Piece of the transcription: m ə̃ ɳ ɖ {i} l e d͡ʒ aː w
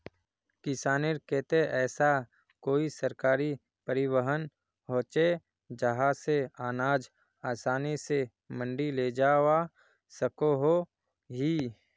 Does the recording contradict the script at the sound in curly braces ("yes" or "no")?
no